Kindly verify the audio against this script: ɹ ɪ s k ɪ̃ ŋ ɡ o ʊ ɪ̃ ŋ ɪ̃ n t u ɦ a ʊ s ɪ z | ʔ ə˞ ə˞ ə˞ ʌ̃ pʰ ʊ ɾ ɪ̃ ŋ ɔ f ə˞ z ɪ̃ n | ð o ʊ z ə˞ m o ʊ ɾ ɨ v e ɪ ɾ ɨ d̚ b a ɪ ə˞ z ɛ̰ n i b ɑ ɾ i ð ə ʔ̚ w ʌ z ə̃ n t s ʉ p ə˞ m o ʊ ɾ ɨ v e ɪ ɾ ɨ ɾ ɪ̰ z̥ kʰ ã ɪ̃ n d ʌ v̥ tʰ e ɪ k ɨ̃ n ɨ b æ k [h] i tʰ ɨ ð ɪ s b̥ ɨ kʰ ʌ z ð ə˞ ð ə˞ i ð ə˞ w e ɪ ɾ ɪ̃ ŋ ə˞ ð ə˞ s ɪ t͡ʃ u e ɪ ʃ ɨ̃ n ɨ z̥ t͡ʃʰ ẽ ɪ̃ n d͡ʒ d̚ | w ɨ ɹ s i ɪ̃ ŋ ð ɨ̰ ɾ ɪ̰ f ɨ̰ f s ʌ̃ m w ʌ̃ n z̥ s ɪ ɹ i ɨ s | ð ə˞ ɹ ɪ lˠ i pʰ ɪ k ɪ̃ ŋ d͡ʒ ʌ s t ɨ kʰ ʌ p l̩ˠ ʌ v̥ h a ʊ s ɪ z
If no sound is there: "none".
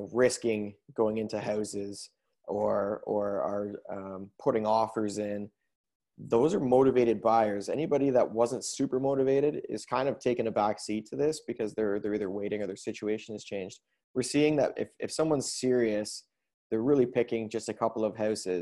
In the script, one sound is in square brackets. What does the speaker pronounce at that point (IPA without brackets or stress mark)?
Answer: s